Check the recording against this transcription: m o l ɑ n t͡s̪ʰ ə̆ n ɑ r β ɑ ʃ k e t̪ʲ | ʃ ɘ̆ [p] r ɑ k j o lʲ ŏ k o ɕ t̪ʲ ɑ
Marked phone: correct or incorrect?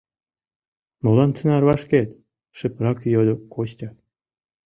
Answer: correct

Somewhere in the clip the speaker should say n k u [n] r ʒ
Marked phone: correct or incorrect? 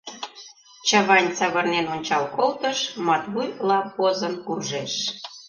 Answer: incorrect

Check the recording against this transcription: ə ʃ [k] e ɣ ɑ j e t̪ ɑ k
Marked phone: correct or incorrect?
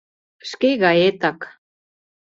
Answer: correct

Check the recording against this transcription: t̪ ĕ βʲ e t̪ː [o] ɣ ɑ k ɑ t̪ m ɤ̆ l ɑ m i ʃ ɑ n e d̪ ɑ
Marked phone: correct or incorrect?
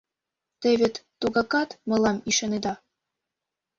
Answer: incorrect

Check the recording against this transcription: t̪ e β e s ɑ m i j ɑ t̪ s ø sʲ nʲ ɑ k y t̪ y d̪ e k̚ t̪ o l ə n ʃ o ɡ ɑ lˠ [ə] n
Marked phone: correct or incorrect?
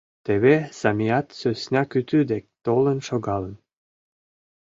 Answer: correct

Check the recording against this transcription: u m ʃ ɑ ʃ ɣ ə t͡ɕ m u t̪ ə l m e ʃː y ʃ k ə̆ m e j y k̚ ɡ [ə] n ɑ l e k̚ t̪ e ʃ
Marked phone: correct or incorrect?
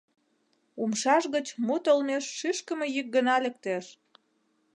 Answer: correct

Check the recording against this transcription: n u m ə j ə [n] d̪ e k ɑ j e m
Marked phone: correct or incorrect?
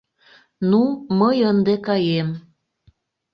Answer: correct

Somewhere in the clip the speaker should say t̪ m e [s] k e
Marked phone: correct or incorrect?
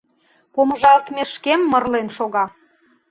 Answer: incorrect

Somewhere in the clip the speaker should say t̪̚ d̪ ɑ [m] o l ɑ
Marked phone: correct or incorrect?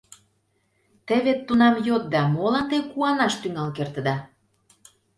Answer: correct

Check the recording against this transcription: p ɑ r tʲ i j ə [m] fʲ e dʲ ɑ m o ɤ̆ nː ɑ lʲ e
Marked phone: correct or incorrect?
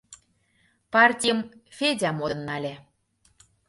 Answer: correct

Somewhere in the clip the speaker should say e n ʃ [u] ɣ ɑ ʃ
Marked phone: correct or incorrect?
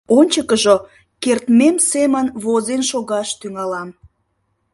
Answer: incorrect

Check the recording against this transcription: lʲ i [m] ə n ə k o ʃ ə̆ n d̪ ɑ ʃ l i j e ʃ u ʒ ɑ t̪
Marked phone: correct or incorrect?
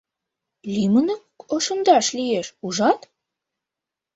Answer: correct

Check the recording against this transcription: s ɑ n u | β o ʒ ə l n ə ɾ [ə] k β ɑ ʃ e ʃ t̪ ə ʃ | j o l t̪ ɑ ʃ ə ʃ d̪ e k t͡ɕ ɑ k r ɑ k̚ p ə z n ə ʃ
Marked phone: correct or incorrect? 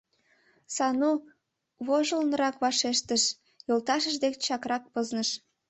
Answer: incorrect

